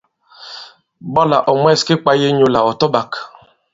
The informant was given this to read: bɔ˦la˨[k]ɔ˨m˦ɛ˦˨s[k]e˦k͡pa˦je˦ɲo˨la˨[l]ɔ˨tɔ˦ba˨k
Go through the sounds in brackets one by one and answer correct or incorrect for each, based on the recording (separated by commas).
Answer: incorrect, correct, incorrect